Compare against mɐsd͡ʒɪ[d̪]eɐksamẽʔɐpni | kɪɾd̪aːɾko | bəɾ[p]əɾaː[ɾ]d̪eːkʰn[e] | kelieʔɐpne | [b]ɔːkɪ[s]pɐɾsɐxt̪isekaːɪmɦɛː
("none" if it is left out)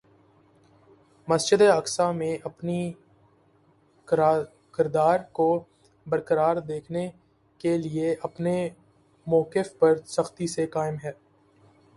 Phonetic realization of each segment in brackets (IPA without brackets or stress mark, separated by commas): d̪, k, ɾ, e, m, f